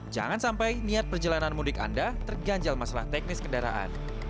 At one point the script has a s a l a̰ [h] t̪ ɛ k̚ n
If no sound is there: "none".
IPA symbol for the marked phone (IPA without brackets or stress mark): h